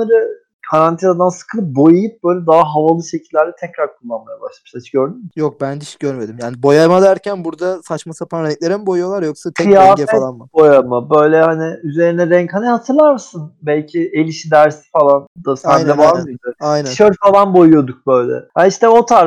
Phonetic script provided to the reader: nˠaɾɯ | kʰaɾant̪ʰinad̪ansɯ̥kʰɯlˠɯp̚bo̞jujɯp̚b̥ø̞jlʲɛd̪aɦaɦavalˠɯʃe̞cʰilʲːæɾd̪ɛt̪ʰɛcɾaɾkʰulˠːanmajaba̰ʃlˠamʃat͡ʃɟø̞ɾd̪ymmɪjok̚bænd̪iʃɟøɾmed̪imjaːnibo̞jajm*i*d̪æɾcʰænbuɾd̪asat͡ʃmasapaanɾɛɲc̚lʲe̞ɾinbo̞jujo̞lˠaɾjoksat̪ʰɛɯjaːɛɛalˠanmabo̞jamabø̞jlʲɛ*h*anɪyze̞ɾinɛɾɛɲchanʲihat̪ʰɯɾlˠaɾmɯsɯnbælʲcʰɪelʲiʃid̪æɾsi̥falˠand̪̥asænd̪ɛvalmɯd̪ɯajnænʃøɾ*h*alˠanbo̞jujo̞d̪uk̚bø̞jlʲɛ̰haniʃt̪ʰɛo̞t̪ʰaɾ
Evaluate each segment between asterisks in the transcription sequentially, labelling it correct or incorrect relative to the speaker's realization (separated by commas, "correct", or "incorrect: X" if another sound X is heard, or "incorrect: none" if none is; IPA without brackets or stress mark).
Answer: incorrect: a, correct, incorrect: f